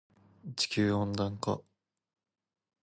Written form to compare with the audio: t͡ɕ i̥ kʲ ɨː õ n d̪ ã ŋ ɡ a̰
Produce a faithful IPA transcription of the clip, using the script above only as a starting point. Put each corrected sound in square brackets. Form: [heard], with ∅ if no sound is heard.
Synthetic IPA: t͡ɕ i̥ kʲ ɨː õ n d̪ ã ŋ [k] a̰